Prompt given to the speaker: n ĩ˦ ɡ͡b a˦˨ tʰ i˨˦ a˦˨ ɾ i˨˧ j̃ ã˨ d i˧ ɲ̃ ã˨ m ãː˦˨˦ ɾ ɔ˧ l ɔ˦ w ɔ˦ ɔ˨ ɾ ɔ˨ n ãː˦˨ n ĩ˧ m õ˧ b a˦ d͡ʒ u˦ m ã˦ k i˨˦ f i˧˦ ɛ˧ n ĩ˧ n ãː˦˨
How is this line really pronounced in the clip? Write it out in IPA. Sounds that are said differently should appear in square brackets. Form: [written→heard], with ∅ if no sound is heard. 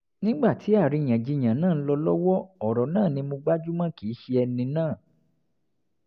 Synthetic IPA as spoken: n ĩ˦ ɡ͡b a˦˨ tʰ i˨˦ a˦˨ ɾ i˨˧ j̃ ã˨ [d→d͡ʒ] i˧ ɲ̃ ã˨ [m→n] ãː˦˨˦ [ɾ→l] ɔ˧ l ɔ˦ w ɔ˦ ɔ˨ ɾ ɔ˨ n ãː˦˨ n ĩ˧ m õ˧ [b→ɡ͡b] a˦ d͡ʒ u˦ m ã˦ k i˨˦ [f→ʃ] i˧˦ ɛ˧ n ĩ˧ n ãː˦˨